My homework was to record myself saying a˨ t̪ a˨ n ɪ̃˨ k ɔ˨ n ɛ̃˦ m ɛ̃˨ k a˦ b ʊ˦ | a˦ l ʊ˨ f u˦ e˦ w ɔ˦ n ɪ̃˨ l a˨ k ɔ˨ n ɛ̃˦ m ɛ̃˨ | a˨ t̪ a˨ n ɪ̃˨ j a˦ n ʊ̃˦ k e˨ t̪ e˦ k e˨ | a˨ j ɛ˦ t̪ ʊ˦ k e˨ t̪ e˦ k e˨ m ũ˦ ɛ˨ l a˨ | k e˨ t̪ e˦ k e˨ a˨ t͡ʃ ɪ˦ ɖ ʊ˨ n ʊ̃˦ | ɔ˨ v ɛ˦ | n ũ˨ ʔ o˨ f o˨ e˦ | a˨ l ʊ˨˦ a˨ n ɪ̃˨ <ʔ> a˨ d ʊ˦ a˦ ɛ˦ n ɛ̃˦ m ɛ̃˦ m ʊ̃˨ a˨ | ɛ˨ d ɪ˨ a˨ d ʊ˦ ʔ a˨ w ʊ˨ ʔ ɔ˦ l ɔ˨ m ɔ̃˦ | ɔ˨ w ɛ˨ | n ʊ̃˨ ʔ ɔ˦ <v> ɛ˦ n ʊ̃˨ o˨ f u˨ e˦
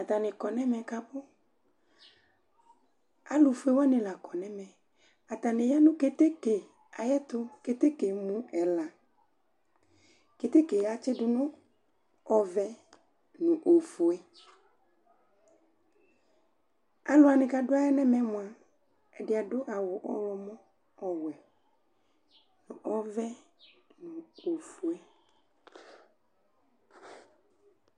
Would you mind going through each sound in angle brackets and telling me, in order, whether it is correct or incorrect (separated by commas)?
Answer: incorrect, correct